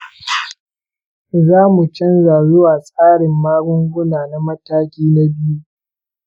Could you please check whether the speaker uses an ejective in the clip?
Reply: yes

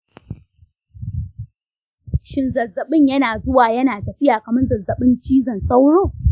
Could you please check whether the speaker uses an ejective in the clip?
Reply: no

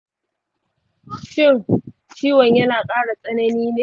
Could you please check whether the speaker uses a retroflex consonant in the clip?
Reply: yes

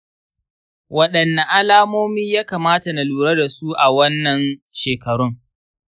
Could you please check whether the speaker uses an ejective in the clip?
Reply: no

